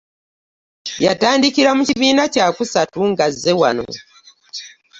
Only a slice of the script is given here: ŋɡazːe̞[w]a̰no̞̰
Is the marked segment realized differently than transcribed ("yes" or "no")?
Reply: no